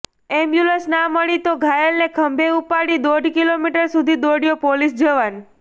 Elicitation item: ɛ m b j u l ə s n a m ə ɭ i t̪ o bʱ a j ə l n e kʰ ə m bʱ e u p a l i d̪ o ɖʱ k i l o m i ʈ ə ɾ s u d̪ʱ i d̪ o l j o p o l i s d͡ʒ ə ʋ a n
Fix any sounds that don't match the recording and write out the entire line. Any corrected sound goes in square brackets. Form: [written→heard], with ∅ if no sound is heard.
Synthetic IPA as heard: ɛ m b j u l ə s n a m ə ɭ i t̪ o [bʱ→ɡʱ] a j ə l n e kʰ ə m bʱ e u p a [l→ɽ] i d̪ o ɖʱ k i l o m i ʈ ə ɾ s u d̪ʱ i d̪ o [l→ɽ] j o p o l i s d͡ʒ ə ʋ a n

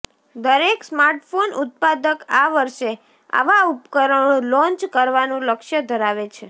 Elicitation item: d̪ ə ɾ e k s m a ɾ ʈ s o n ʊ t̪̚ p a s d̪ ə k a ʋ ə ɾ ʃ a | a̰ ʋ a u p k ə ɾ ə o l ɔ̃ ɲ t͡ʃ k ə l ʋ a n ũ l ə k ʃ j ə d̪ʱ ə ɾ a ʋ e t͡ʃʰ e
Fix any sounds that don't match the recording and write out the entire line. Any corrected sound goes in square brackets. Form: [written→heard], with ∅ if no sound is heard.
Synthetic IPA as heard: d̪ ə ɾ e k s m a ɾ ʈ [s→f] o n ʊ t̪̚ p a [s→∅] d̪ ə k a ʋ ə ɾ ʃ [a→e] | a̰ ʋ a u p k ə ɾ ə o l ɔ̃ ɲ t͡ʃ k ə [l→ɾ] ʋ a n ũ l ə k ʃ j ə d̪ʱ ə ɾ a ʋ e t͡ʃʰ e

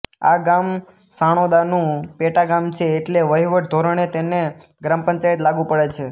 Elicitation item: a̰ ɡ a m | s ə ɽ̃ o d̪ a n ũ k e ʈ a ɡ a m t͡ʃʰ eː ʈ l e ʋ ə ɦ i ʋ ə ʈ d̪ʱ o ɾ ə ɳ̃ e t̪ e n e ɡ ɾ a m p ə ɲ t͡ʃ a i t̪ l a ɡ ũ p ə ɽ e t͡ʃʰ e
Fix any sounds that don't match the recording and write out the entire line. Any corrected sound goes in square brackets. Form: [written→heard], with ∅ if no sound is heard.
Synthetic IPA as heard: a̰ ɡ a m | s [ə→a] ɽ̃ o d̪ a n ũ [k→p] e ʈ a ɡ a m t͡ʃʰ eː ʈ l e ʋ ə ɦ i ʋ ə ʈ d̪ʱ o ɾ ə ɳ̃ e t̪ e n e ɡ ɾ a m p ə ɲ t͡ʃ a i t̪ l a ɡ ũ p ə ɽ e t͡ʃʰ e

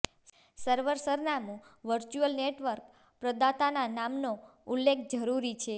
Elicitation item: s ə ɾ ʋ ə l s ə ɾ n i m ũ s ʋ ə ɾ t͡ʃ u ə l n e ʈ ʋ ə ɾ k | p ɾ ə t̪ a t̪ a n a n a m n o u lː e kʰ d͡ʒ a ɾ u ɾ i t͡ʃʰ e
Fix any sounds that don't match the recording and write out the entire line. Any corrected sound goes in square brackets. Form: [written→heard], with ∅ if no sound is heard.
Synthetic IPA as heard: s ə ɾ ʋ ə [l→ɾ] s ə ɾ n [i→a] m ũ [s→∅] ʋ ə ɾ t͡ʃ u ə l n e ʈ ʋ ə ɾ k | p ɾ ə [t̪→d̪] a t̪ a n a n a m n o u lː e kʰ d͡ʒ [a→ə] ɾ u ɾ i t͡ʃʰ e

